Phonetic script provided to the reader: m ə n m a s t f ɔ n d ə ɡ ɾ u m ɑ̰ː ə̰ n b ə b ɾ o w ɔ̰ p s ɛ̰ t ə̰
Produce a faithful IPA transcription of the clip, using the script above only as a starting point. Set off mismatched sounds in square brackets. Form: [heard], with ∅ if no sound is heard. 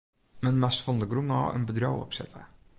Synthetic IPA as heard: m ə n m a s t f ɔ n d ə ɡ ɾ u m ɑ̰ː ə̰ n b ə [d] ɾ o w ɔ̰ p s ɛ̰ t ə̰